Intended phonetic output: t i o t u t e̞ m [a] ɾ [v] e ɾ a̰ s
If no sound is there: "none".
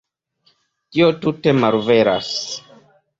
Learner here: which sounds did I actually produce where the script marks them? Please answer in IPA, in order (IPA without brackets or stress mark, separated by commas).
a, v